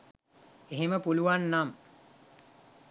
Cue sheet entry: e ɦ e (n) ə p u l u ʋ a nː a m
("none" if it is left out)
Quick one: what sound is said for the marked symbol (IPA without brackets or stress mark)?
m